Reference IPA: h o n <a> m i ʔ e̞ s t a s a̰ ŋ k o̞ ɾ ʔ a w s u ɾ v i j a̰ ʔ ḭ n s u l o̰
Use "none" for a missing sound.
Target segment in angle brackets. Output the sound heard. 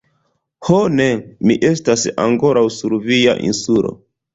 e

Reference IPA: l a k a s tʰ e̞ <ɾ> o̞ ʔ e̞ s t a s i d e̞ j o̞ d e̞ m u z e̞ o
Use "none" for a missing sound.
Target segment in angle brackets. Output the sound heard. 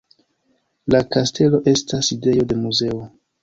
l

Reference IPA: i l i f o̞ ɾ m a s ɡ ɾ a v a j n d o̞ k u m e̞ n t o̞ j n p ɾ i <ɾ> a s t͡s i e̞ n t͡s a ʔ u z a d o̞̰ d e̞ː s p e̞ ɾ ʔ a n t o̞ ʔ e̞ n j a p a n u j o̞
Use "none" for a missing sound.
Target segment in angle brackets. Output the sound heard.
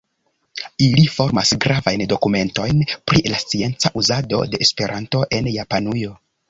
l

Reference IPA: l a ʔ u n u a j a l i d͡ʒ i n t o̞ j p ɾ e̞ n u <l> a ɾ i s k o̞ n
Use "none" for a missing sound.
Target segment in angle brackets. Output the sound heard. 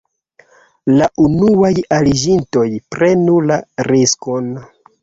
l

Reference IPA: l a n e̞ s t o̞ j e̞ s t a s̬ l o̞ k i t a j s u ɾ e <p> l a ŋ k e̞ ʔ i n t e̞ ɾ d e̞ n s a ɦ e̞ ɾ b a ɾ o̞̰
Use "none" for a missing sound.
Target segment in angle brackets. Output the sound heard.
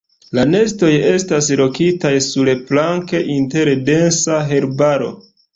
p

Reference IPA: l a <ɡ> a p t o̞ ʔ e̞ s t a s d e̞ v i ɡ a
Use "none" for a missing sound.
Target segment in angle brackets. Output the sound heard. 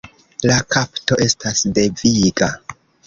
k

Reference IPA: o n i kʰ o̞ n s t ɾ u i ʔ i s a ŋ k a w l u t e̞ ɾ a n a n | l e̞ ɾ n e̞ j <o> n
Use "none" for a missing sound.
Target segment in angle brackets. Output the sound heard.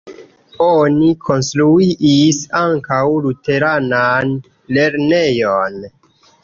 o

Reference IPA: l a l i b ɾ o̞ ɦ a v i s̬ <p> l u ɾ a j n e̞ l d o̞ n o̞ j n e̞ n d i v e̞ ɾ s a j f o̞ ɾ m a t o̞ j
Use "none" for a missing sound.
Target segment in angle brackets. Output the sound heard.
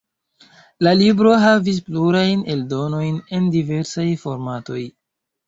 p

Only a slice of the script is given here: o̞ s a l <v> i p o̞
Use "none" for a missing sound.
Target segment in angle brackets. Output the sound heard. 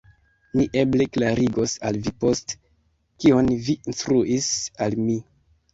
v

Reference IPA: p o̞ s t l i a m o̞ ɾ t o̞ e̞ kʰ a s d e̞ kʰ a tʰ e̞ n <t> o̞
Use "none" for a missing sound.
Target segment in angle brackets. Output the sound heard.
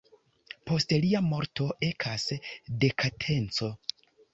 t͡s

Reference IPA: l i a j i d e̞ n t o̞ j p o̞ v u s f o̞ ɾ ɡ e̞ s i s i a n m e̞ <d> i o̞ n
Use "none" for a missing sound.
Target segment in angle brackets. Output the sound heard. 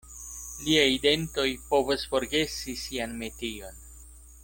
t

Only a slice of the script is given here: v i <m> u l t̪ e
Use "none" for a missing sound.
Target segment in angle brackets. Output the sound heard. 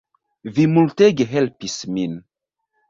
m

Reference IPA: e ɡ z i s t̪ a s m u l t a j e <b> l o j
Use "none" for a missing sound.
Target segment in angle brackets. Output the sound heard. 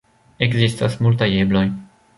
b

